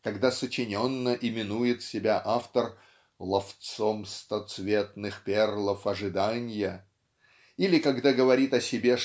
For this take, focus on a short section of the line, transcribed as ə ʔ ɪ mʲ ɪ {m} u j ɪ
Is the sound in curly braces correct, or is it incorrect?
incorrect